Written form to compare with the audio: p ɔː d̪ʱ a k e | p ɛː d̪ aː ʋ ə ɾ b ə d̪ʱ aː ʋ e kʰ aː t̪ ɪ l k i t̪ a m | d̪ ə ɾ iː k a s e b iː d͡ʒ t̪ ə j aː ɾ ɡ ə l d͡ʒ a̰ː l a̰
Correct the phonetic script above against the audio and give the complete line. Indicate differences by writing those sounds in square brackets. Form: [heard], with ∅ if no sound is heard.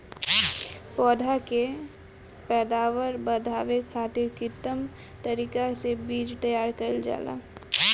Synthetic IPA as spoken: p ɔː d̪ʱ a k e | p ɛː d̪ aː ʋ ə ɾ b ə d̪ʱ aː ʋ e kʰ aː t̪ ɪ [ɾ] k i t̪ [ə] m | [t̪] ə ɾ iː k a s e b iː d͡ʒ t̪ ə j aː ɾ [k] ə l d͡ʒ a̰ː l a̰